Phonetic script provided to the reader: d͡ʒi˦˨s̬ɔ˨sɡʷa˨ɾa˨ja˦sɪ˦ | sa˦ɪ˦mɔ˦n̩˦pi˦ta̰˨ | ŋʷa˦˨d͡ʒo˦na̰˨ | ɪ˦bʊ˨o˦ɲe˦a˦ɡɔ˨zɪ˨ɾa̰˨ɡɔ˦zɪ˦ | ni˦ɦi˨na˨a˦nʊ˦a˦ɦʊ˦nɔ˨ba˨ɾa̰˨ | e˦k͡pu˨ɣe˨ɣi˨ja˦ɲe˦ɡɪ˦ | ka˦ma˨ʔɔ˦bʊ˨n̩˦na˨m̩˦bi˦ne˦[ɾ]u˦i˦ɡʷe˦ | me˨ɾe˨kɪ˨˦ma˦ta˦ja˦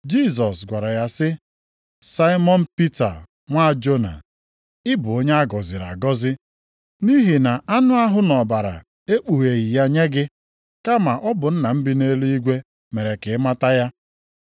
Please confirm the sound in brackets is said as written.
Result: no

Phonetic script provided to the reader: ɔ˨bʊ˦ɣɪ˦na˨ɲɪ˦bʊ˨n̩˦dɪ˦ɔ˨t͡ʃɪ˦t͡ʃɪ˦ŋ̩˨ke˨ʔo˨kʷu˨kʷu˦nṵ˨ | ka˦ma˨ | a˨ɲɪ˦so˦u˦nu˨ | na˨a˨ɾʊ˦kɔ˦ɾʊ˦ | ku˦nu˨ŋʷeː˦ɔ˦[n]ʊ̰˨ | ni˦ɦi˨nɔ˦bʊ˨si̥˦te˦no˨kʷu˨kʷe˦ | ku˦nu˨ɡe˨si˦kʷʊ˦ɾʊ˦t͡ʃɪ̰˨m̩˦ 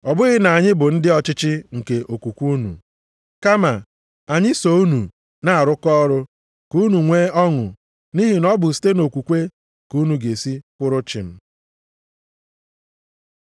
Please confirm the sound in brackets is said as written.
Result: no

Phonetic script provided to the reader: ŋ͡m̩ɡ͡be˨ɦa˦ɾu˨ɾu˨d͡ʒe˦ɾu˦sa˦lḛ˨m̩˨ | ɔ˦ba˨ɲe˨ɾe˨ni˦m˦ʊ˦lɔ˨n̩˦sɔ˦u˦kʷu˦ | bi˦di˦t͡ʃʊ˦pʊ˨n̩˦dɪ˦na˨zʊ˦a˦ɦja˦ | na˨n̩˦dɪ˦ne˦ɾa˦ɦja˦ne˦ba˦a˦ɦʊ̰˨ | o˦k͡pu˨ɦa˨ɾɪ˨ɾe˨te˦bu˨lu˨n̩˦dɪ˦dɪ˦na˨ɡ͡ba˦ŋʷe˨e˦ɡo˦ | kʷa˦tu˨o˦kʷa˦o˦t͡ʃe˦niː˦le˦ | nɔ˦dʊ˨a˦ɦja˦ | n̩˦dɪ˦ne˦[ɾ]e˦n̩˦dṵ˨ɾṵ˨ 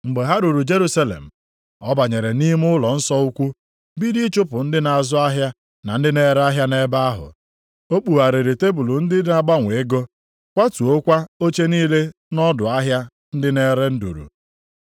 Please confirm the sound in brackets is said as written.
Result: yes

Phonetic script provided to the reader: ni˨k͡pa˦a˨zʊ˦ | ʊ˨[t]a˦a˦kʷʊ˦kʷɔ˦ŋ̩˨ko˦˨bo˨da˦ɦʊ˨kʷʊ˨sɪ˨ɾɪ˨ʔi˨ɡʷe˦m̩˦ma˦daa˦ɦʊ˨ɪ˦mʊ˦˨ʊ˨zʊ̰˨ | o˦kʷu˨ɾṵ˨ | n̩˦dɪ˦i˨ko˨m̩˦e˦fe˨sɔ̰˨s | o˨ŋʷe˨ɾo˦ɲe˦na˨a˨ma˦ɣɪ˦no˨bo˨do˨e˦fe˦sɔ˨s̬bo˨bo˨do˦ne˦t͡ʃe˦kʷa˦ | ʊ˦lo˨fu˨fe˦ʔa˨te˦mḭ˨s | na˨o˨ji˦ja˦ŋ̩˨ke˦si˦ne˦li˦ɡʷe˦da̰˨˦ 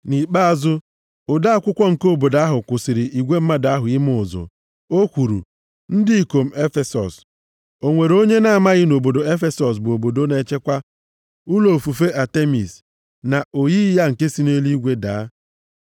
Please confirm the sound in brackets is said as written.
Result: no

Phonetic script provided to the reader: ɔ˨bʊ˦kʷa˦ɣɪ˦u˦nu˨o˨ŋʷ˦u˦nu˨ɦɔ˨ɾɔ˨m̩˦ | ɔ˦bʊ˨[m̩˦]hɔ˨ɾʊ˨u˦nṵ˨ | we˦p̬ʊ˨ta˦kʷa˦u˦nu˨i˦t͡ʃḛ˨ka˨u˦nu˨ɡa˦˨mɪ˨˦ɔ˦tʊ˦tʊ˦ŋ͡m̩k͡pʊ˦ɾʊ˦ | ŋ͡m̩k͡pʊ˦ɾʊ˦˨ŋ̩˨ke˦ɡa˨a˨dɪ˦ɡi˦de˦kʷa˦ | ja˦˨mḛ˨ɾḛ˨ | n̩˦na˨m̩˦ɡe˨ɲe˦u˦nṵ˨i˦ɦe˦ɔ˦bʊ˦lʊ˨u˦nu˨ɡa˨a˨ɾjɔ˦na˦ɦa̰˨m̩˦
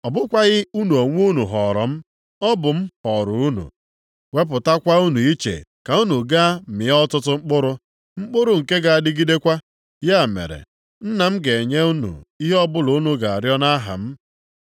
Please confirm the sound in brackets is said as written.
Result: yes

